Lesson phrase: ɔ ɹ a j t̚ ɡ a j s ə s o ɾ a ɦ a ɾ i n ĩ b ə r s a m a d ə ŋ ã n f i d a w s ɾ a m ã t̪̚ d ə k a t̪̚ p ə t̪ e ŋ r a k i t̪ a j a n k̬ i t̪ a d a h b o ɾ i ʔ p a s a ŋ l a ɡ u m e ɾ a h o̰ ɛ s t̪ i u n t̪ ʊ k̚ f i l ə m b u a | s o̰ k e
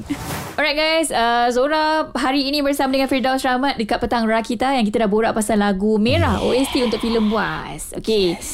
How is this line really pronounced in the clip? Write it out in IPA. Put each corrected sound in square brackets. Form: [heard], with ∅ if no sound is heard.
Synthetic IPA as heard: ɔ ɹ a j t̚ ɡ a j s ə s o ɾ a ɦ a ɾ [iː] n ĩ b ə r s a m a d ə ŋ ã n f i d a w s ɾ a m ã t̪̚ d ə k a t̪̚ p ə t̪ [a] ŋ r a k i t̪ a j a [ŋ] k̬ i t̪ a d a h b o ɾ [a] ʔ p a s a [n] l a ɡ u m e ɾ a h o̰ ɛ s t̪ i u n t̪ ʊ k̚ f i l ə m b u a | s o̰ k e